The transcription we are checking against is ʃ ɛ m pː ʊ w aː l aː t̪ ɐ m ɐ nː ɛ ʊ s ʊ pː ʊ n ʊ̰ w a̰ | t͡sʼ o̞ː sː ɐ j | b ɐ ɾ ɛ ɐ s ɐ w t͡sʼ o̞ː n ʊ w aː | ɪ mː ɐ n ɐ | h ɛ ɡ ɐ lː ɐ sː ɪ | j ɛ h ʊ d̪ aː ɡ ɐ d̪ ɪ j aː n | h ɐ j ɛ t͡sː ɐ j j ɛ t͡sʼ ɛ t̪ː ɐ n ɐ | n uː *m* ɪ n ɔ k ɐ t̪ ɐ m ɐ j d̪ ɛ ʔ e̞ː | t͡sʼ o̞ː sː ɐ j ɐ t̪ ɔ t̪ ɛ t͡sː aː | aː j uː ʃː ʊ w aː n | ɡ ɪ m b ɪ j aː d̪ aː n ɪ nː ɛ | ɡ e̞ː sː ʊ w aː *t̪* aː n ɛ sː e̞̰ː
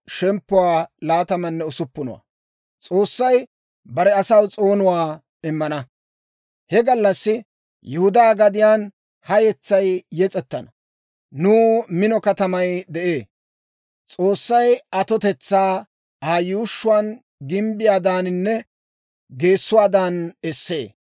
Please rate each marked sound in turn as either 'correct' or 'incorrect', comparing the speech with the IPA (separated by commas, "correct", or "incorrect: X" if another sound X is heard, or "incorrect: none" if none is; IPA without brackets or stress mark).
correct, incorrect: d̪